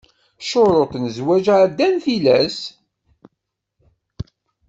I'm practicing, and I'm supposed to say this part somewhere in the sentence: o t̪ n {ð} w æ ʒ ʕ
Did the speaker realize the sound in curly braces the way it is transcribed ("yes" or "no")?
no